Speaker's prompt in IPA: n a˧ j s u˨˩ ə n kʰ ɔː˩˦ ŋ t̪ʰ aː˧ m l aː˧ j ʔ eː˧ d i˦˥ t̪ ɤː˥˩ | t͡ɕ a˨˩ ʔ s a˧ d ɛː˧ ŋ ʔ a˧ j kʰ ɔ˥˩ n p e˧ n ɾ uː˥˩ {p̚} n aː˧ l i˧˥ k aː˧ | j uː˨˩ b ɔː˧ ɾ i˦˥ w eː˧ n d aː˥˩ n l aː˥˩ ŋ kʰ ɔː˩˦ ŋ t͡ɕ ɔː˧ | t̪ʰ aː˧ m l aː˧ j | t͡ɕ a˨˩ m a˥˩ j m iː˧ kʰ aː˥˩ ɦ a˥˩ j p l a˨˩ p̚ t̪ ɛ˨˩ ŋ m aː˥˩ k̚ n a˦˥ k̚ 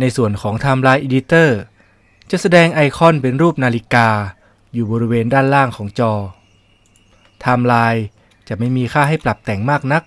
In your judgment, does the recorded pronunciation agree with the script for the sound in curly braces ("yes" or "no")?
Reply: yes